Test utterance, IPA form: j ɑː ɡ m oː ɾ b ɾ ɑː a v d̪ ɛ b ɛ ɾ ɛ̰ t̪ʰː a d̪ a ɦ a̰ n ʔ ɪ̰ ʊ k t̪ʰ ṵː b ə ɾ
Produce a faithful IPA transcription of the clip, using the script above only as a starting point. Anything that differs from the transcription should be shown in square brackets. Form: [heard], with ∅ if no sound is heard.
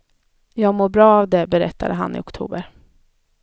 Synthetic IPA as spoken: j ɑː ɡ m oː ɾ b ɾ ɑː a v d̪ ɛ b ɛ ɾ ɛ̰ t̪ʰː a d̪ [ə] ɦ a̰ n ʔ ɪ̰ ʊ k t̪ʰ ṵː b ə ɾ